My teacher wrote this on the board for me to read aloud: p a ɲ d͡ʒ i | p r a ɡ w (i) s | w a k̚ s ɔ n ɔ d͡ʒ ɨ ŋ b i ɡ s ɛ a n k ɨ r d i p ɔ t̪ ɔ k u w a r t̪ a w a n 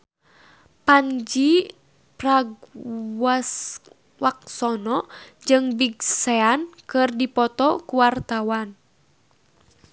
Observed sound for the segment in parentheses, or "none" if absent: a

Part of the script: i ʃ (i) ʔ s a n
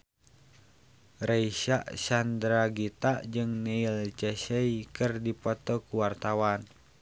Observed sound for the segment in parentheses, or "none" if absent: a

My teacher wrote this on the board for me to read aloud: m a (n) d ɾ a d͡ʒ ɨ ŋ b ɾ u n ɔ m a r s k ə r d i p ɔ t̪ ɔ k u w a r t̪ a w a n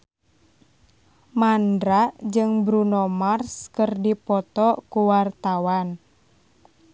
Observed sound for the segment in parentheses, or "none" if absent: n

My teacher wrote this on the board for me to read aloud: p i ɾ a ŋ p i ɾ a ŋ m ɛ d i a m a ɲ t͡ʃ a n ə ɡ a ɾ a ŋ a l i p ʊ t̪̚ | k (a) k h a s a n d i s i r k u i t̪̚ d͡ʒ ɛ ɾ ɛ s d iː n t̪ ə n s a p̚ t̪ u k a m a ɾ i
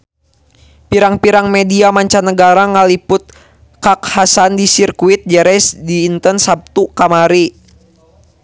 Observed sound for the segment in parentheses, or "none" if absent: a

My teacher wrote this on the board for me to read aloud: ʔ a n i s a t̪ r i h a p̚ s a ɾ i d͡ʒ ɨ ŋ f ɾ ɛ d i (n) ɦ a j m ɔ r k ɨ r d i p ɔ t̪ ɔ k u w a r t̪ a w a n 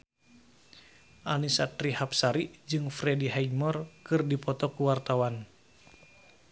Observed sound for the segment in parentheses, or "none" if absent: none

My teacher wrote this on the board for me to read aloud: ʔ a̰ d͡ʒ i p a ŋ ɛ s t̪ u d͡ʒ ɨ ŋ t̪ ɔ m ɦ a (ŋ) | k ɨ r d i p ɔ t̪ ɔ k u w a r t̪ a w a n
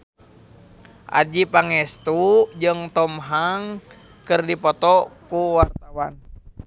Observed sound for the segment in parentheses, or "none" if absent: ŋ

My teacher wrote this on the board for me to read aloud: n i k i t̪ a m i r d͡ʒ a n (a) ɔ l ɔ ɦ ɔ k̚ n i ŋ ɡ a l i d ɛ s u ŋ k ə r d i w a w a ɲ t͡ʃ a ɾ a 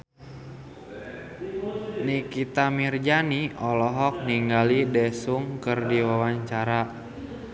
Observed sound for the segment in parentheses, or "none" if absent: i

